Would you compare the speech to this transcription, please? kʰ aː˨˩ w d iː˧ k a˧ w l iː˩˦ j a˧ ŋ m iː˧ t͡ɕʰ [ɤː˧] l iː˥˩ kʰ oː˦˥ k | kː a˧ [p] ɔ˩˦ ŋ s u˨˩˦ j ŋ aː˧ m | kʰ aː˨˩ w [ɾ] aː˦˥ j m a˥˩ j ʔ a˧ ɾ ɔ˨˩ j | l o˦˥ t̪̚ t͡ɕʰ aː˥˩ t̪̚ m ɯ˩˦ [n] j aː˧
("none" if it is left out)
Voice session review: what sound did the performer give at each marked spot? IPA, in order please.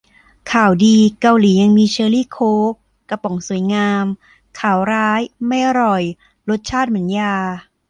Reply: ɤː˧, p, ɾ, n

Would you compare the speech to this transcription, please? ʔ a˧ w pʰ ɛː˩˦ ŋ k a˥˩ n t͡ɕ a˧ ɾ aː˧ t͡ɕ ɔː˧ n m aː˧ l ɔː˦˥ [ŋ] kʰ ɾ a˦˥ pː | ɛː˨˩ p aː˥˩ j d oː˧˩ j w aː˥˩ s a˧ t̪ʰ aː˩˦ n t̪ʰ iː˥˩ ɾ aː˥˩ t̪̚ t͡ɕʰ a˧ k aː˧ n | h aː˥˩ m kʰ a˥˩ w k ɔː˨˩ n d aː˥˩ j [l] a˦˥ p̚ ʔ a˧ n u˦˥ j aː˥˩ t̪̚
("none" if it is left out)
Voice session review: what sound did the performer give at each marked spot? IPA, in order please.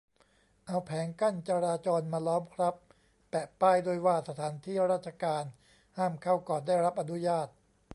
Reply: m, ɾ

